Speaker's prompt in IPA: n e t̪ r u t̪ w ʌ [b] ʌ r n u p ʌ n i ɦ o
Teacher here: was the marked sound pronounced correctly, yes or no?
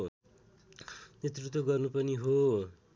no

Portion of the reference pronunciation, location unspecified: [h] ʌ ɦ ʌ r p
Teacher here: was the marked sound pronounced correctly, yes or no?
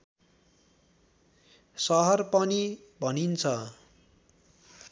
no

